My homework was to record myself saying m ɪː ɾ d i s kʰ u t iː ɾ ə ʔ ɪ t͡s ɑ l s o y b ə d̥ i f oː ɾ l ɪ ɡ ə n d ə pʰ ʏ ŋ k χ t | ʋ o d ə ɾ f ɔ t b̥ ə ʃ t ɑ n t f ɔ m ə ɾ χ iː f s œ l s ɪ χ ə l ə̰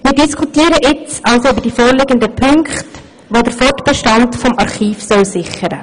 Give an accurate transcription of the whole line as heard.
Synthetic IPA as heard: m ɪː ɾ d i s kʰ u t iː ɾ ə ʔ ɪ t͡s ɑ l s o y b ə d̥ i f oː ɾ l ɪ ɡ ə n d ə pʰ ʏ ŋ k χ t | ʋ o d ə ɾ f ɔ t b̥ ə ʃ t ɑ n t f ɔ m ɑ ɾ χ iː f s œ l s ɪ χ ə ɾ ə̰